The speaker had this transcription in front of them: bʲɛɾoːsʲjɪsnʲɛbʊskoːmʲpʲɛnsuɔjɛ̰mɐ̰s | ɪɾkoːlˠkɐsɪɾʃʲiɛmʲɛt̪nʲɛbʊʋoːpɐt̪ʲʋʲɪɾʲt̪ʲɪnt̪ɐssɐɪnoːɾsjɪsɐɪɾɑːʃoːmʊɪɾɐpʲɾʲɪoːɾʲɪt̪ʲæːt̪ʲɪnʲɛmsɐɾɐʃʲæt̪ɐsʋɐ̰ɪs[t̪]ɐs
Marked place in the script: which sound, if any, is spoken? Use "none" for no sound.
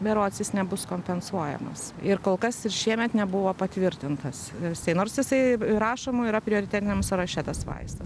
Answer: t̪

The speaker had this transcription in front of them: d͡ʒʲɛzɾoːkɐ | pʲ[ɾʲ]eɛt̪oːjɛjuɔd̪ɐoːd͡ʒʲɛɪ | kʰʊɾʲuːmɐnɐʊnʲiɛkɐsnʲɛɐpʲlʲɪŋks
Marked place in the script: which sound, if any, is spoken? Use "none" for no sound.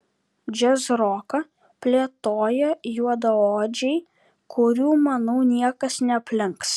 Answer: lʲ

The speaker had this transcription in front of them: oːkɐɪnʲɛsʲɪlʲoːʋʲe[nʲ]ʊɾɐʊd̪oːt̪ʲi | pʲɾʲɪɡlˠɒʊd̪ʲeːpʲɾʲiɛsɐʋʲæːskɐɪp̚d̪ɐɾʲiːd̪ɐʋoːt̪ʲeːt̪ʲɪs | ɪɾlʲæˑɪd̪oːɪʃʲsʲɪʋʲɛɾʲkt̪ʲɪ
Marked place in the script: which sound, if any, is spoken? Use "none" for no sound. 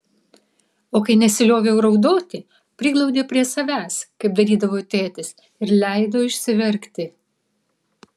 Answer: none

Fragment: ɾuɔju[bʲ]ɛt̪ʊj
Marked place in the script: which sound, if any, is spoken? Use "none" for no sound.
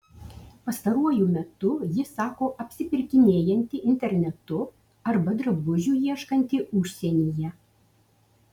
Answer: mʲ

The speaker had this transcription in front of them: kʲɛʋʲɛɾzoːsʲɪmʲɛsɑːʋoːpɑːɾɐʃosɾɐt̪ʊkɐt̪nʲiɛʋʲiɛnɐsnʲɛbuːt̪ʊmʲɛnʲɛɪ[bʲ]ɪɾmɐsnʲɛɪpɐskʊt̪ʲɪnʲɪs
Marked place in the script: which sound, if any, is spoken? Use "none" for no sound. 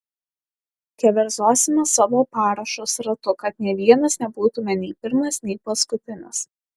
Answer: pʲ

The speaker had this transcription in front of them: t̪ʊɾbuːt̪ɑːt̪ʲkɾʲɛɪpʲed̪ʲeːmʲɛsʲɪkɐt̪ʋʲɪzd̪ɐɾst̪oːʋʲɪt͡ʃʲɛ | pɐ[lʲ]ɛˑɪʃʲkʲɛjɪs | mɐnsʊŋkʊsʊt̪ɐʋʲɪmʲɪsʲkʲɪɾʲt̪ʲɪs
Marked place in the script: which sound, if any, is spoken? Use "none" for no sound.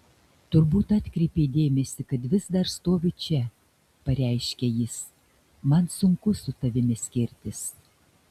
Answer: ɾʲ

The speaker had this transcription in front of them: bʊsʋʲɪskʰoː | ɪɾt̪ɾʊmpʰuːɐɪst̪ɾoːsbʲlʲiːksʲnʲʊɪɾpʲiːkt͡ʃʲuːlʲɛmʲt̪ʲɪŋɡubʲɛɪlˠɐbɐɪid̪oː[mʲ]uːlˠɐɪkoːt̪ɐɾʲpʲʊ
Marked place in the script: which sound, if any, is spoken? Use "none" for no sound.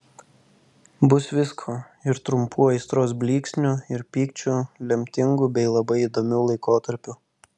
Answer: mʲ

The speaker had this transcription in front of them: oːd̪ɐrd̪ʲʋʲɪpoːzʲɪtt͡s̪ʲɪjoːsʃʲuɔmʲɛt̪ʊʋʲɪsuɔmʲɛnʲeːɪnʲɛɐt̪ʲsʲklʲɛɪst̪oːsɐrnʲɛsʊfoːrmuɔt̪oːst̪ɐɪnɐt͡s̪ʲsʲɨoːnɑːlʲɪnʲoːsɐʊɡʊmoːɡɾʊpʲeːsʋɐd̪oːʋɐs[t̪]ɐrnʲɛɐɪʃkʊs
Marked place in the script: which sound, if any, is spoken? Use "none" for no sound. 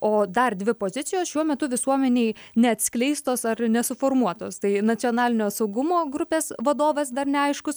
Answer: d̪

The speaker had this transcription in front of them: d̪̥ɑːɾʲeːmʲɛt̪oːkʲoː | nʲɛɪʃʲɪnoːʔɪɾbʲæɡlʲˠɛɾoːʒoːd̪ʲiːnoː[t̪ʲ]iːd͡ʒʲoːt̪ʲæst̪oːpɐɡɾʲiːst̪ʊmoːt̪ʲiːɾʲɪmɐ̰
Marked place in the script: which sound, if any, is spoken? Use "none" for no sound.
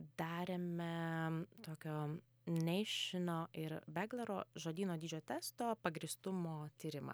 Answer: d̪ʲ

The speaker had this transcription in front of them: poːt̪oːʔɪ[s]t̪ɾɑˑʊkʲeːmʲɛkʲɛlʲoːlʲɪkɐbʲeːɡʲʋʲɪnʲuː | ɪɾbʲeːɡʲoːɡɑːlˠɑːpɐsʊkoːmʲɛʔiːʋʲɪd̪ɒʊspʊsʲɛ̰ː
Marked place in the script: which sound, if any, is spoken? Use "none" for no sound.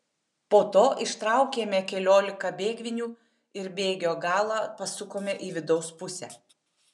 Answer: ʃ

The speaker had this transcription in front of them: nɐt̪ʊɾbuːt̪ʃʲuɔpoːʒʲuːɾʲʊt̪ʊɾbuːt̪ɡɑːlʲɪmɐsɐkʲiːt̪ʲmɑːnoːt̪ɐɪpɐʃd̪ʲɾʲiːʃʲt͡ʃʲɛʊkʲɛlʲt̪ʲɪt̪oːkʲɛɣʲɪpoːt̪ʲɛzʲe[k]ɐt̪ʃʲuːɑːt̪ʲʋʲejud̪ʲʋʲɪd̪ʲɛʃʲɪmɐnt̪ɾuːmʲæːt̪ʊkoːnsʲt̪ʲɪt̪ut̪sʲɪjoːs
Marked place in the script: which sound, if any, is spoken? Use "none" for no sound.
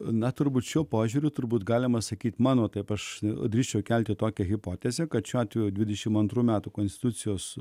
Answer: k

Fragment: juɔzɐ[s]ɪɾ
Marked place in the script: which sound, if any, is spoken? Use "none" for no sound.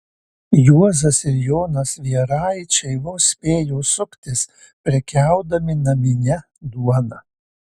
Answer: s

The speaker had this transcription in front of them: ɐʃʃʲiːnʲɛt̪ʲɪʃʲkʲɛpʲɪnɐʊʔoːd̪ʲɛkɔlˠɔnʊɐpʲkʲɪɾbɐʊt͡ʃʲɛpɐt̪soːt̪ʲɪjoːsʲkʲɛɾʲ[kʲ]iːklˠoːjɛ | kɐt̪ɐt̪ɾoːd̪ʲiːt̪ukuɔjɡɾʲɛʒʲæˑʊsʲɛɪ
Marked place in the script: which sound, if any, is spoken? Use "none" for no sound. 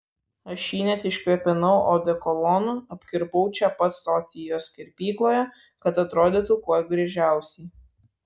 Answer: pʲ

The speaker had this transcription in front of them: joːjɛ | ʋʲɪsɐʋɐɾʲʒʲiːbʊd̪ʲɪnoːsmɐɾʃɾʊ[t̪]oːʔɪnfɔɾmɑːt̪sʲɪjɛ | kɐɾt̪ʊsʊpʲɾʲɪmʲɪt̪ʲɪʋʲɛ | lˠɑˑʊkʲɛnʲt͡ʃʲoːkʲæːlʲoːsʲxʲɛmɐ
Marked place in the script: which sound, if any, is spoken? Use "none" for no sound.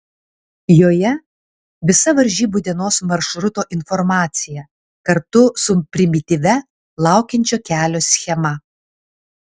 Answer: t̪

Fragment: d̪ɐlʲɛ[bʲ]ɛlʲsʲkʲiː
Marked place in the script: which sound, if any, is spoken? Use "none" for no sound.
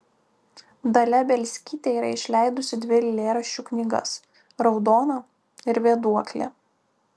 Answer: bʲ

